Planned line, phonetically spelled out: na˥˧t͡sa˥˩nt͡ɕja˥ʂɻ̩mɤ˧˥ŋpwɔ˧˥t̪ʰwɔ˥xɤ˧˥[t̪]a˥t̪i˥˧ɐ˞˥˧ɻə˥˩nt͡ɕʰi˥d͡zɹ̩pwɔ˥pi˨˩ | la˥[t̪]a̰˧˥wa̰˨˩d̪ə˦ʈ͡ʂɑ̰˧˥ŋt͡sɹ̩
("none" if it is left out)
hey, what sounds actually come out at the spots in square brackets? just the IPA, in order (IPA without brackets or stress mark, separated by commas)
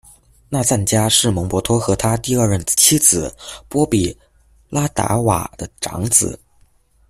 t̪ʰ, t̪